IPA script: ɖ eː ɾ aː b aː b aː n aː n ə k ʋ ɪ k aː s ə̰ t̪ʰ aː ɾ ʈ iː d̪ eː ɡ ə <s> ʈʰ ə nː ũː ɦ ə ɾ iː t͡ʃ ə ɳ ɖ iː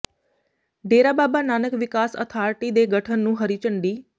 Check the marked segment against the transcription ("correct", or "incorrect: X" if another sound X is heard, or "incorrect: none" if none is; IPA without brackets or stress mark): incorrect: none